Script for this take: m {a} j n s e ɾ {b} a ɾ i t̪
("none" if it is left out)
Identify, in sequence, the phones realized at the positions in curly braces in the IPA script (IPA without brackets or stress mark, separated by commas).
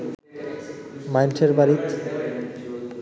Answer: a, b